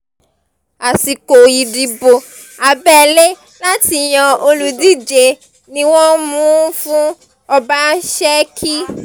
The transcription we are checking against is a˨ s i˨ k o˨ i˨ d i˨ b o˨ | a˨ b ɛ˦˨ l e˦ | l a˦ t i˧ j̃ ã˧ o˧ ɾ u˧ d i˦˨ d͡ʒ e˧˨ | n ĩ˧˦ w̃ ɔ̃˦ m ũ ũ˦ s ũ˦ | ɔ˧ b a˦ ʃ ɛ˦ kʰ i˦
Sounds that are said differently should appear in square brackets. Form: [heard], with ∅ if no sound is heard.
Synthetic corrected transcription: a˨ s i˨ k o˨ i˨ d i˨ b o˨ | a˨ b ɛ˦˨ l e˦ | l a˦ t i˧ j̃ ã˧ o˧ [l] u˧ d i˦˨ d͡ʒ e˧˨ | n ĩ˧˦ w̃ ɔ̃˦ m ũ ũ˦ [f] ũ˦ | ɔ˧ b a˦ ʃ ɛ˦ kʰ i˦